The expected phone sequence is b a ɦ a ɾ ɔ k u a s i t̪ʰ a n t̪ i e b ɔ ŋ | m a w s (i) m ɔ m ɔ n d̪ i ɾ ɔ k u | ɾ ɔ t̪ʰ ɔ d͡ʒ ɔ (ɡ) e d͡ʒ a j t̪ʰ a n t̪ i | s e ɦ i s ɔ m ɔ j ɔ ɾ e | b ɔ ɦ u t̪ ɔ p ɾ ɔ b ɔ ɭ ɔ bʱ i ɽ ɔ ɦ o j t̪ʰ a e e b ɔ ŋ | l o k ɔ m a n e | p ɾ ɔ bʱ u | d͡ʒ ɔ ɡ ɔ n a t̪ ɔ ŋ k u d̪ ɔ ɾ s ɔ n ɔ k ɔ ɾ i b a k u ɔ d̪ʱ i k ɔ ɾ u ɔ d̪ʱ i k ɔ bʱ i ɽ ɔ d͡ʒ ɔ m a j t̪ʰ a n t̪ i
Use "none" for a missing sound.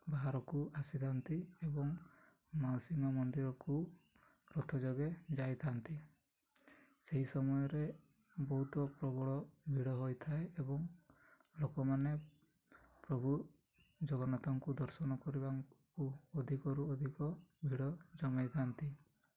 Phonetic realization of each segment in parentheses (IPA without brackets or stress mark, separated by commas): i, ɡ